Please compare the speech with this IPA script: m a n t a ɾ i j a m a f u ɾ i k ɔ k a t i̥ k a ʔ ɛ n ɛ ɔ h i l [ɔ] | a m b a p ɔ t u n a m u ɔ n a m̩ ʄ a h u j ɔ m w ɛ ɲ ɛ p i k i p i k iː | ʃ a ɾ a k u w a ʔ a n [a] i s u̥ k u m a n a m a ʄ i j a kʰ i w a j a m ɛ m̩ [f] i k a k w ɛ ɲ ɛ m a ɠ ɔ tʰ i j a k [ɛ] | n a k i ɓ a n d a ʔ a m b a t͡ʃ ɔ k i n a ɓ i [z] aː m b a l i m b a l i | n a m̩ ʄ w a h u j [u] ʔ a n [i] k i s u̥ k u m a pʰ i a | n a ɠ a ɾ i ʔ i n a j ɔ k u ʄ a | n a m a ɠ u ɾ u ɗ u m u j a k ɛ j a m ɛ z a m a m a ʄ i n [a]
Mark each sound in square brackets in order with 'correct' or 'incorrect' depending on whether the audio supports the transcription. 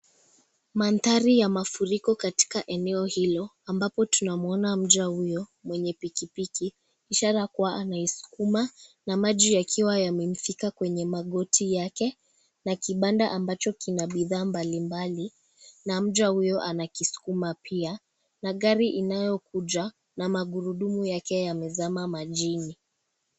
correct, correct, correct, correct, incorrect, incorrect, incorrect, incorrect

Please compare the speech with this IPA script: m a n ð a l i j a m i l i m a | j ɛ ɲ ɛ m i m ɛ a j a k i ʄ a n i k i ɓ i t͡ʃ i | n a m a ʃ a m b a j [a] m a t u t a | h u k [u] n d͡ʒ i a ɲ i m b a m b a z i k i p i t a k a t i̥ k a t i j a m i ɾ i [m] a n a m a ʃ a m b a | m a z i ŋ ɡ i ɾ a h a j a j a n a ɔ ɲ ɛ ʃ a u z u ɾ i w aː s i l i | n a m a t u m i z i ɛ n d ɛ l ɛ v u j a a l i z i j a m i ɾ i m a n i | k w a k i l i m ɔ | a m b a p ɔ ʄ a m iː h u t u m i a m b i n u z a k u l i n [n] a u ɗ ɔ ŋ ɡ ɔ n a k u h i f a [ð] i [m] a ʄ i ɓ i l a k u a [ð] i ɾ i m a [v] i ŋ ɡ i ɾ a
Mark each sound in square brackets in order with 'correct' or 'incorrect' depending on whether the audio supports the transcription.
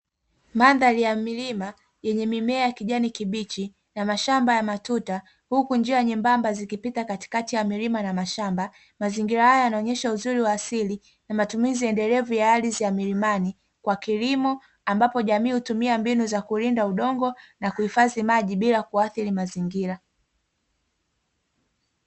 correct, correct, correct, incorrect, incorrect, correct, incorrect, incorrect

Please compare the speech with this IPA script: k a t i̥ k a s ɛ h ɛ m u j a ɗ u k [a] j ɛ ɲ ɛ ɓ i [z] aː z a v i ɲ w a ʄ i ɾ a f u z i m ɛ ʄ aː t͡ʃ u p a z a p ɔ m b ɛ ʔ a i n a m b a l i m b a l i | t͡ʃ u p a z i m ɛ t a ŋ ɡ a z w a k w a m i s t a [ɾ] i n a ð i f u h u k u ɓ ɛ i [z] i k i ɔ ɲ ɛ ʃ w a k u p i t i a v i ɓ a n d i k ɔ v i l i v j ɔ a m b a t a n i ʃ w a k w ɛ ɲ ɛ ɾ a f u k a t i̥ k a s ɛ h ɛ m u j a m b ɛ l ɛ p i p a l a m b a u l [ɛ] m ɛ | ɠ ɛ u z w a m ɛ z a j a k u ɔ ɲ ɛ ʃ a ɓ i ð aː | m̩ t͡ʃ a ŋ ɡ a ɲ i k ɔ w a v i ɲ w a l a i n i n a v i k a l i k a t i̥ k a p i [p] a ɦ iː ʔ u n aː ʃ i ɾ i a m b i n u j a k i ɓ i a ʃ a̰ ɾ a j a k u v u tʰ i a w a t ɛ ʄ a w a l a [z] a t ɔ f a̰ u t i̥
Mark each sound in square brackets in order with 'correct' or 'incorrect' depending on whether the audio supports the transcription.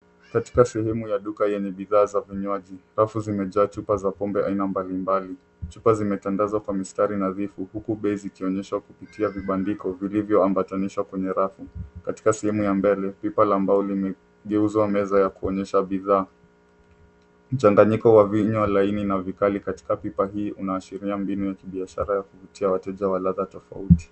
correct, incorrect, correct, correct, incorrect, correct, incorrect

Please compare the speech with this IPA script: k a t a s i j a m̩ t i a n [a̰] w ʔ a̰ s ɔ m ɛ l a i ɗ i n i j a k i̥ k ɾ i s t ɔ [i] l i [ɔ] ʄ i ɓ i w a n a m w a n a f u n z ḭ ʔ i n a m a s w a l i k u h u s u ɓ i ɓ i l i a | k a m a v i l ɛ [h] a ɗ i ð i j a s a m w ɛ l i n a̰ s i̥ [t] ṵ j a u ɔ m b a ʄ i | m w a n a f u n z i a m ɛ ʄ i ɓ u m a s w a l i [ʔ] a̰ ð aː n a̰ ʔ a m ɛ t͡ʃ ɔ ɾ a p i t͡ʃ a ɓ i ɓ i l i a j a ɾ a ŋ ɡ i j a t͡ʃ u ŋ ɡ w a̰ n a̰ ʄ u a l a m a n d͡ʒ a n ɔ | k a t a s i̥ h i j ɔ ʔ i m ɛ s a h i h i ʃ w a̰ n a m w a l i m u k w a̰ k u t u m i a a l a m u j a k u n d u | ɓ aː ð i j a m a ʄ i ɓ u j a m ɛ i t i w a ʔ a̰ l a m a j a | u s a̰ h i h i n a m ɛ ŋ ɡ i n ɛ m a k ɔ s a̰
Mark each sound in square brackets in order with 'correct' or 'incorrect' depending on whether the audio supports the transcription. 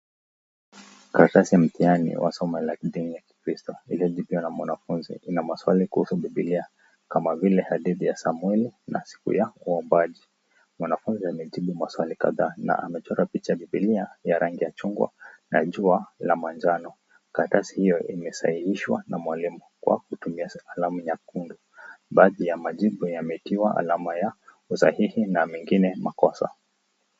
incorrect, correct, correct, correct, incorrect, incorrect

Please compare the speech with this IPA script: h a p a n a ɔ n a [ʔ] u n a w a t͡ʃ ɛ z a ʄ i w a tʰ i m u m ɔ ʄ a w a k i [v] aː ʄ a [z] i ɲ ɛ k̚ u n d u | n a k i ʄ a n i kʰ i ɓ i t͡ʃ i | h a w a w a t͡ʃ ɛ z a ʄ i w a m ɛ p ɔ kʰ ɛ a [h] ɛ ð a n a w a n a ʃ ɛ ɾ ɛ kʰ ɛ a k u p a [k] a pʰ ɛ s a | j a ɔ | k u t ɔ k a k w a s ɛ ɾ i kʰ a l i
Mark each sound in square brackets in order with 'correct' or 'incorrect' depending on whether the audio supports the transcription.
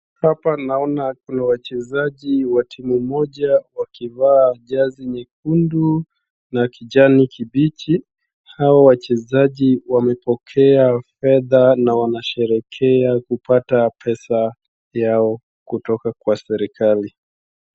incorrect, correct, correct, incorrect, incorrect

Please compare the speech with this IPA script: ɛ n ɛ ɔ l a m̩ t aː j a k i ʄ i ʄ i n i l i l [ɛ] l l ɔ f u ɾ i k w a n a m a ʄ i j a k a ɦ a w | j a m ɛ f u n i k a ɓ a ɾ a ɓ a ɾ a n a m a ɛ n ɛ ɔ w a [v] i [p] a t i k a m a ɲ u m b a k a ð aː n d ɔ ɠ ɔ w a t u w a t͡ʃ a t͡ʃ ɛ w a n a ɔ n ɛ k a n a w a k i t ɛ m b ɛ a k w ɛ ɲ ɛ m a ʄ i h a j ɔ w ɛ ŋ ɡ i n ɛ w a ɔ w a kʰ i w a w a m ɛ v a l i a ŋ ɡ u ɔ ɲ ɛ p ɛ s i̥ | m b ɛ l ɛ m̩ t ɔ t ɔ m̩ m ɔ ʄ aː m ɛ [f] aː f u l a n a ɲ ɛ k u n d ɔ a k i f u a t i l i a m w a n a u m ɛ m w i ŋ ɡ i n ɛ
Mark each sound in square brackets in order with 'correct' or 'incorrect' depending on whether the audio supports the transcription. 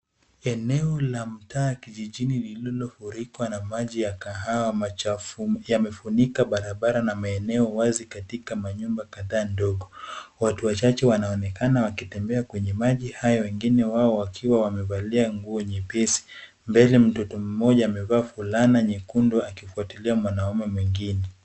incorrect, incorrect, incorrect, incorrect

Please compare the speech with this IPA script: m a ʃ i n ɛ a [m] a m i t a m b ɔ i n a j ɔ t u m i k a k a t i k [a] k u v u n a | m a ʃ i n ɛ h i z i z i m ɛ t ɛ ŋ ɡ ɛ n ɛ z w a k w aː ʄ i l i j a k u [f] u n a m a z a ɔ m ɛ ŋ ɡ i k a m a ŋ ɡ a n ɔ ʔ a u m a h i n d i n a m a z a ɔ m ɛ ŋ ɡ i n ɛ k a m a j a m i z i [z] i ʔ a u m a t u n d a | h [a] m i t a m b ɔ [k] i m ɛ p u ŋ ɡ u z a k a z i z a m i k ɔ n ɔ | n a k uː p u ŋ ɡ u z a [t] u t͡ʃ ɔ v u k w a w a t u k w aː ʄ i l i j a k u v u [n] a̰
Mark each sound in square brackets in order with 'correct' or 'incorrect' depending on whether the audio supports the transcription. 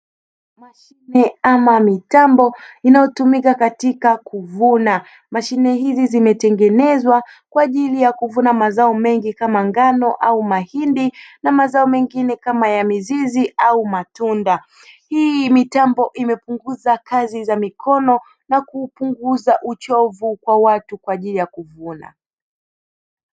correct, correct, incorrect, correct, incorrect, incorrect, incorrect, correct

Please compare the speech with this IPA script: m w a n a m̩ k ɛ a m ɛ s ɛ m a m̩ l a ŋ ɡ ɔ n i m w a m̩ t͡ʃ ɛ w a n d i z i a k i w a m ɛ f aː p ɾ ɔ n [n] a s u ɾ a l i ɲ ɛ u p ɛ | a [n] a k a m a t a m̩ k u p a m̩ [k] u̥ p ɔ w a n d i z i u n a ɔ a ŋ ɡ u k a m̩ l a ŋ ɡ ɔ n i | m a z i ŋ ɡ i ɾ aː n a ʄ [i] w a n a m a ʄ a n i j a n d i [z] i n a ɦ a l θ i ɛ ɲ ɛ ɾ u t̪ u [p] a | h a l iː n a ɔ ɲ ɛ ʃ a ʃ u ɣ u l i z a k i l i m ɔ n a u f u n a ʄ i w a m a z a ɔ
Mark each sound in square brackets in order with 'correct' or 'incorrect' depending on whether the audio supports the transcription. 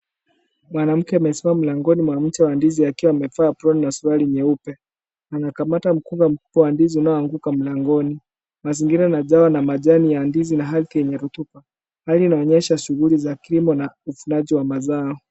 correct, correct, correct, incorrect, correct, correct

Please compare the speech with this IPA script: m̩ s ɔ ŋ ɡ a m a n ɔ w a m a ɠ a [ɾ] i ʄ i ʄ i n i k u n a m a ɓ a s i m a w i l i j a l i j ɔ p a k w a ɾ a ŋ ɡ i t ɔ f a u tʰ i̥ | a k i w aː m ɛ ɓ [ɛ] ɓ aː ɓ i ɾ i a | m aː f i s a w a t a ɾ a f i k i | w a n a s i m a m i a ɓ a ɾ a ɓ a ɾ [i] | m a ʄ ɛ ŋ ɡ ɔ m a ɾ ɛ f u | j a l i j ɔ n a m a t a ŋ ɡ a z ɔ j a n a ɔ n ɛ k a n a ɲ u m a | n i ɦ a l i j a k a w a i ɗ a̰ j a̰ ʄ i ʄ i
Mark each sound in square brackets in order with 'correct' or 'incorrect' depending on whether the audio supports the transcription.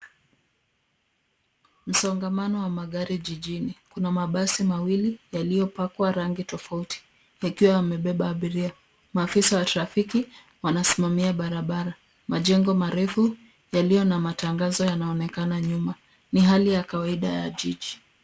correct, correct, incorrect

